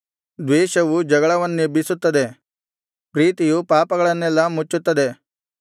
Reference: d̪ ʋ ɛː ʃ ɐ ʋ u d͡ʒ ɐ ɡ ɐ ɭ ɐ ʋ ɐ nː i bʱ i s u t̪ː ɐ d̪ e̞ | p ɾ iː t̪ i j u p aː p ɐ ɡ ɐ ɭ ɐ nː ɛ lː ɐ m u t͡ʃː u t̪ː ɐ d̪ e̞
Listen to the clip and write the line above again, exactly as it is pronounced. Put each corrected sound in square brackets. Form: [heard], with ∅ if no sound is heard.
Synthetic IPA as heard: d̪ ʋ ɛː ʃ ɐ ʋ u d͡ʒ ɐ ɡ ɐ ɭ ɐ ʋ ɐ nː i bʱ i s u t̪ː ɐ d̪ e̞ | p ɾ iː t̪ i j u p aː p ɐ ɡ ɐ ɭ ɐ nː ɛ lː ɐ m u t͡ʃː u t̪ː ɐ d̪ e̞

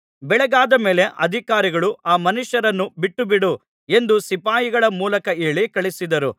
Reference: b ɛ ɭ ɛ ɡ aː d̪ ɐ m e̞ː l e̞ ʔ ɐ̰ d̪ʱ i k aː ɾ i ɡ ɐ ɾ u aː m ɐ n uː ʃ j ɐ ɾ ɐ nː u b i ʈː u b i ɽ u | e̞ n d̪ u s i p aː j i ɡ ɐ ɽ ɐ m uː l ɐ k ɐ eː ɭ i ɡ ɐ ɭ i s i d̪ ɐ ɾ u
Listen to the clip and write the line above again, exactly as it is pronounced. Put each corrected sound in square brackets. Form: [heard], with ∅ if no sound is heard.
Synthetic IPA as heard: b ɛ ɭ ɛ ɡ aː d̪ ɐ m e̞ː l e̞ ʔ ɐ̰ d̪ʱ i k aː ɾ i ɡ ɐ [ɭ] u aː m ɐ n [u] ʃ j ɐ ɾ ɐ nː u b i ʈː u b i ɽ u | e̞ n d̪ u s i p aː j i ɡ ɐ [ɭ] ɐ m uː l ɐ k ɐ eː ɭ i [k] ɐ ɭ i s i d̪ ɐ ɾ u

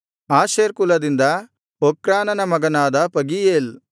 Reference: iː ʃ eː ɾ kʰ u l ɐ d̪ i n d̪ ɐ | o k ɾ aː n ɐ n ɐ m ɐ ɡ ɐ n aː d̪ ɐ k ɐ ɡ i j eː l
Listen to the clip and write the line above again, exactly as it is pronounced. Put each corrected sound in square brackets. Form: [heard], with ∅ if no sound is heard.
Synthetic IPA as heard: [aː] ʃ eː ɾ [k] u l ɐ d̪ i n d̪ ɐ | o k ɾ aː n ɐ n ɐ m ɐ ɡ ɐ n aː d̪ ɐ [p] ɐ ɡ i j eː l

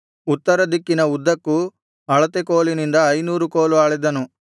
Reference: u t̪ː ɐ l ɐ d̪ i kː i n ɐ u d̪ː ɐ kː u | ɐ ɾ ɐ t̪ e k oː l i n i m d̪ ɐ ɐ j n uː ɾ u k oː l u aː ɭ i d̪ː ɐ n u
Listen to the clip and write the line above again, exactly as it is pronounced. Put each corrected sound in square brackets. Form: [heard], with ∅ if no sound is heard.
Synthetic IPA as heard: u t̪ː ɐ [ɾ] ɐ d̪ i kː i n ɐ u d̪ː ɐ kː u | ɐ [ɭ] ɐ t̪ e k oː l i n i [n] d̪ ɐ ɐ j n uː ɾ u k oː l u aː ɭ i [d̪] ɐ n u

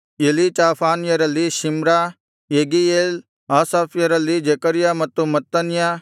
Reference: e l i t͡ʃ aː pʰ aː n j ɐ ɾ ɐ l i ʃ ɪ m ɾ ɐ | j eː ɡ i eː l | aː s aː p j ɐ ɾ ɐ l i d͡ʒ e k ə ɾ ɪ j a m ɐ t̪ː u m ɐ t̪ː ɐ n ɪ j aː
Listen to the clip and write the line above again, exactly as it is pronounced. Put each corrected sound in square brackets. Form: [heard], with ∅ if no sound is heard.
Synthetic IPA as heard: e l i t͡ʃ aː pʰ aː n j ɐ ɾ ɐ l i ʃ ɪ m ɾ [a] | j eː ɡ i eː l | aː s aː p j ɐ ɾ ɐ l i d͡ʒ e k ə ɾ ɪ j a m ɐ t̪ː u m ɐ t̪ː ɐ n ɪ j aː

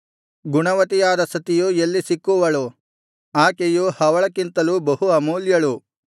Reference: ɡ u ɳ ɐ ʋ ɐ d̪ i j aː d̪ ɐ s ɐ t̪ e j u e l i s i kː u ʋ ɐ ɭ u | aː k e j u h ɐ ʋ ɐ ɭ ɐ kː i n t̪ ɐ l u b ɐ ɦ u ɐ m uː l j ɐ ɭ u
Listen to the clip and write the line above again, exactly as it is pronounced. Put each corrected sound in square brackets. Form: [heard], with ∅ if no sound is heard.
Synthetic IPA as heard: ɡ u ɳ ɐ ʋ ɐ [t̪] i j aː d̪ ɐ s ɐ t̪ [i] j u e [lː] i s i kː u ʋ ɐ ɭ u | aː k e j u h ɐ ʋ ɐ ɭ ɐ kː i n t̪ ɐ l u b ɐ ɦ u ɐ m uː l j ɐ ɭ u

